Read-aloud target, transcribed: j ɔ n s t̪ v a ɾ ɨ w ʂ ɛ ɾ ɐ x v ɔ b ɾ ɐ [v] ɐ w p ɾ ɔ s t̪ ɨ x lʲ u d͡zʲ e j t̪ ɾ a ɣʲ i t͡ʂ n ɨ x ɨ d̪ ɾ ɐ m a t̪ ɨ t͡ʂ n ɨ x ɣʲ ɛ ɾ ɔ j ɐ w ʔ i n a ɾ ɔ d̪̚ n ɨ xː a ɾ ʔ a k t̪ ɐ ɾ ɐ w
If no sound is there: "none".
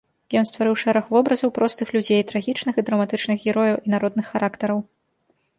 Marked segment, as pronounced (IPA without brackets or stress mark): z